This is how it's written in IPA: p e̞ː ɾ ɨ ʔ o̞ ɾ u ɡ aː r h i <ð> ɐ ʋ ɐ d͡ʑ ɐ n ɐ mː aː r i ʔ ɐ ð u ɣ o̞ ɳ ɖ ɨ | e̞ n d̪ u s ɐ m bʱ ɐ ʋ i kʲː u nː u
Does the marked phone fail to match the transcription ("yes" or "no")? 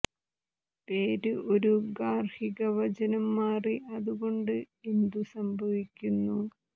yes